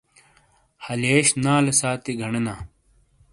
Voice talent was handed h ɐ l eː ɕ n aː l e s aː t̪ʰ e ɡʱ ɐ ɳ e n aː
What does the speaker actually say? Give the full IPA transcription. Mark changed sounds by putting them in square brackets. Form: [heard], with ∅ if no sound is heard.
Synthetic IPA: h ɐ l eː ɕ n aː l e s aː [t̪] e ɡʱ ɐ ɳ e n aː